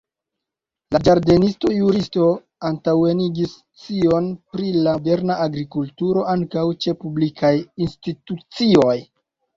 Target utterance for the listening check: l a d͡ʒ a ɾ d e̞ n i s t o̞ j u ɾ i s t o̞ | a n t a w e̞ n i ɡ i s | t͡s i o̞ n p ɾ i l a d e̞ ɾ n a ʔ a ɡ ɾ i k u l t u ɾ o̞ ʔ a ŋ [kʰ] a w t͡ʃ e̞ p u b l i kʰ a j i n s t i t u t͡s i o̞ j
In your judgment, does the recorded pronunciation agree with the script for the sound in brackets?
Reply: no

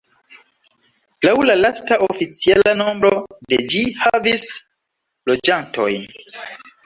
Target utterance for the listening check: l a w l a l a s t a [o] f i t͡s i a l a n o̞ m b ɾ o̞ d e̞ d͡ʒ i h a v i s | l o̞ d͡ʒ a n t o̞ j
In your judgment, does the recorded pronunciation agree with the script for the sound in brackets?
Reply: yes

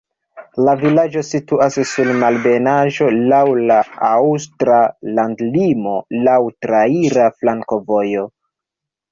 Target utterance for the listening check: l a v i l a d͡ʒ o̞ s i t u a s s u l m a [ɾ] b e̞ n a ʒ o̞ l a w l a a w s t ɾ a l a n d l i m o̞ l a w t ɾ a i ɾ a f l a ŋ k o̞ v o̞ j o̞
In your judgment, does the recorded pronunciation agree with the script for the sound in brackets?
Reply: no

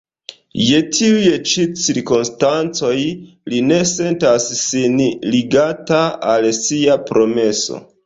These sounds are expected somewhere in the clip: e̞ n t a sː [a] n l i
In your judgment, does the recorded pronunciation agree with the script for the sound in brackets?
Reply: no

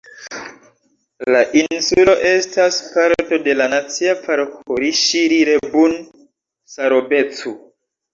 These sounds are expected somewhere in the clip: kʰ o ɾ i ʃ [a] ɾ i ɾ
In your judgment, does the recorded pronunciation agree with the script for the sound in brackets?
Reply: no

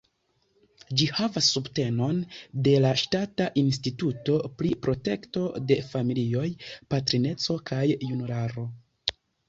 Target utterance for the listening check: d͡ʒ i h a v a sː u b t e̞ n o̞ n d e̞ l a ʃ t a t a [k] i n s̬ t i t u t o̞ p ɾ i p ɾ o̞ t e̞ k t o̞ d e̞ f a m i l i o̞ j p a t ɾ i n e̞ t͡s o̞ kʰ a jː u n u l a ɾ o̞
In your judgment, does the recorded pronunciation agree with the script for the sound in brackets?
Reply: no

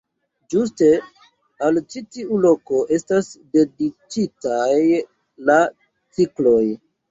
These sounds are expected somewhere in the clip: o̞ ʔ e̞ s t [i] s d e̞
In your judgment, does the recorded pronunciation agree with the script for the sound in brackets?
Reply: no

